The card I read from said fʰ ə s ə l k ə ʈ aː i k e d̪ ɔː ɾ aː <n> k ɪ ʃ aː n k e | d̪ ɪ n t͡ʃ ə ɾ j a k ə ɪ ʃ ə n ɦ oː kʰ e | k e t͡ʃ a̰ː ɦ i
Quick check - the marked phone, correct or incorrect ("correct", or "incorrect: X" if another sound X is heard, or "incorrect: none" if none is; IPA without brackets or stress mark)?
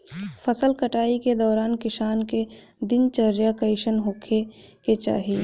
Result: correct